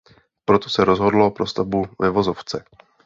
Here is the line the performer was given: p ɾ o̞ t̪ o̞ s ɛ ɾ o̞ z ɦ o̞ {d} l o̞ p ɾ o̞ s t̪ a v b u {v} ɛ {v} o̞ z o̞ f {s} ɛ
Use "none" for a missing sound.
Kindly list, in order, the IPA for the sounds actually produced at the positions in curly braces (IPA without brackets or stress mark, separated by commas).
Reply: d, v, v, t͡s